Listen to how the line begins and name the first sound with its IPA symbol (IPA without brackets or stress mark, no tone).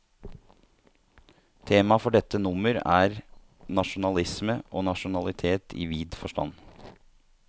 t̪ʰ